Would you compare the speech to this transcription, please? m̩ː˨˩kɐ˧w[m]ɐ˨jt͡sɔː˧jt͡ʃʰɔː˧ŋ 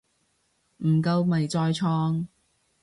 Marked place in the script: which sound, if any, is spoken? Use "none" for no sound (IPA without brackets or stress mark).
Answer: m